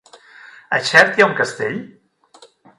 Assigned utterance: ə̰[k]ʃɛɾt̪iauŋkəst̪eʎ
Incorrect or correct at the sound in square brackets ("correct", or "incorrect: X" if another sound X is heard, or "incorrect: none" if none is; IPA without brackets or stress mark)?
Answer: incorrect: none